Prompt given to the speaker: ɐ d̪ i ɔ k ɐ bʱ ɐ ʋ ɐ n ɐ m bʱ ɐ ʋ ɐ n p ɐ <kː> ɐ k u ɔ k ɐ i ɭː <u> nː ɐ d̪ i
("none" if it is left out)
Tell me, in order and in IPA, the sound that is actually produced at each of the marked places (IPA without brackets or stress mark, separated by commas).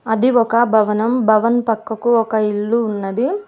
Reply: kː, uː